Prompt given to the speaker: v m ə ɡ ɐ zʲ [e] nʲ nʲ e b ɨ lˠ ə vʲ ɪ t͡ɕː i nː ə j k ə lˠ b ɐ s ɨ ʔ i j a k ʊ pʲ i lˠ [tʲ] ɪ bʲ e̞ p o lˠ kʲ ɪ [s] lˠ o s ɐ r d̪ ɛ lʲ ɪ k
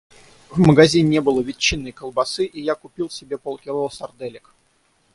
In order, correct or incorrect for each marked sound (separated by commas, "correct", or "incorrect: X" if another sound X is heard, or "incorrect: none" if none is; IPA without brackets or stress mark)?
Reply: incorrect: i, incorrect: sʲ, incorrect: none